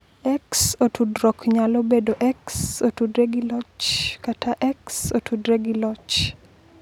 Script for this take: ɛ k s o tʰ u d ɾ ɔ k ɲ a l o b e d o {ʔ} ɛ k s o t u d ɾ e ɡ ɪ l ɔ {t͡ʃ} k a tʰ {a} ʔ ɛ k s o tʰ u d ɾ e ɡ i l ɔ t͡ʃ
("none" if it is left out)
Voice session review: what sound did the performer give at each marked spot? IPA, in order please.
ʔ, t͡ʃ, a

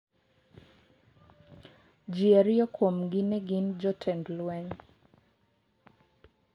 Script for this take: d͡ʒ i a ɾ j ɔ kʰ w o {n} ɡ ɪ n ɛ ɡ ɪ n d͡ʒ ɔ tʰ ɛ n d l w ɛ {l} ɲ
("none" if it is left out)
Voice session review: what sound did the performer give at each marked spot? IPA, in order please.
m, none

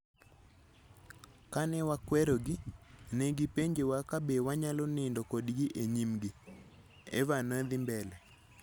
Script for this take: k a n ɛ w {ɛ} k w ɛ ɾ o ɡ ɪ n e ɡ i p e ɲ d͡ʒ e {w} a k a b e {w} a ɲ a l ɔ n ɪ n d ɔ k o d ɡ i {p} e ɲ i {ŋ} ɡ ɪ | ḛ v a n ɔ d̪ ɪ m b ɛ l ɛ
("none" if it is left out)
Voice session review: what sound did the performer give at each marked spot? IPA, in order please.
a, w, w, ʔ, m

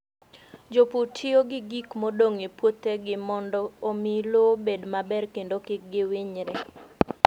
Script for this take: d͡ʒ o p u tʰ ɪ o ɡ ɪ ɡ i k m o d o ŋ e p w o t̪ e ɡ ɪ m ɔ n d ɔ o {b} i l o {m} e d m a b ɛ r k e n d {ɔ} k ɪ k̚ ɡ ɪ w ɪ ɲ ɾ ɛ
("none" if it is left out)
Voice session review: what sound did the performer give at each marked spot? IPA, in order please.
m, b, o

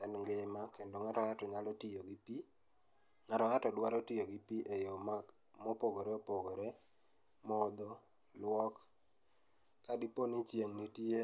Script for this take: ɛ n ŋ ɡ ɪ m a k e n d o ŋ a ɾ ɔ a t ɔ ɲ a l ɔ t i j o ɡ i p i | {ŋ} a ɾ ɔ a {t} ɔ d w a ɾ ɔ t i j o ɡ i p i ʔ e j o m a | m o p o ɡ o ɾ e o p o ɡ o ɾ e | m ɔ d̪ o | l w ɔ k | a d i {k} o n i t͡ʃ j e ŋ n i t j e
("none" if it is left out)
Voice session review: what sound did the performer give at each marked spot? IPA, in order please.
ŋ, t, p

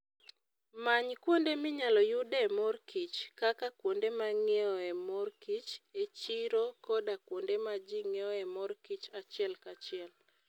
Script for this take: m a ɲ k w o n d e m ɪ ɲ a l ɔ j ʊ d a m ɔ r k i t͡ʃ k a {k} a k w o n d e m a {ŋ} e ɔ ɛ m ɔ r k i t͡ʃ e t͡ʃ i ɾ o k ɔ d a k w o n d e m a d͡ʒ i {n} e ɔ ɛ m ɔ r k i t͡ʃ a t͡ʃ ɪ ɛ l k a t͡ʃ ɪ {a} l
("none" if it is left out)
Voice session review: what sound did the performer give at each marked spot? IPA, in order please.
k, ŋ, ŋ, ɛ

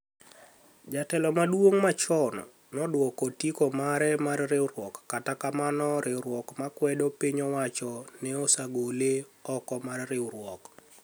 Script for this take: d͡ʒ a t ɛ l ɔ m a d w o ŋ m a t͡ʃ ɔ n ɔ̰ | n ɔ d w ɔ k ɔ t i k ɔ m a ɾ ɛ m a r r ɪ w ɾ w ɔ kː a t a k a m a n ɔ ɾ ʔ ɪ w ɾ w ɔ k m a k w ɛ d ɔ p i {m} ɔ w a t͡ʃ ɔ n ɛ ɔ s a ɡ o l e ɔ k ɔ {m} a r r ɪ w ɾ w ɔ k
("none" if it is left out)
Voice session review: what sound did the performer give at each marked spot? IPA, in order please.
ɲ, m

